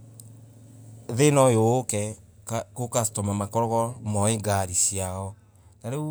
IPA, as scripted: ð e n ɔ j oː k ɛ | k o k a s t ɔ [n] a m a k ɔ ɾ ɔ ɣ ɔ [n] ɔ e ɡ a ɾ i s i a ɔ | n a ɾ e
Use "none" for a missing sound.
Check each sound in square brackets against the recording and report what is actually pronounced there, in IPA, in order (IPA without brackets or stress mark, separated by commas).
m, m